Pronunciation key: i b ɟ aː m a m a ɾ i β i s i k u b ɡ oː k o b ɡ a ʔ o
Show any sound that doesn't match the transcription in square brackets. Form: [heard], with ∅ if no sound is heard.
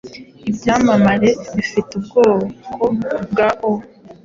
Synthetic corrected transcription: i b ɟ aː m a m a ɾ [e] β i [f] i [t] u b ɡ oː k o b ɡ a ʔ o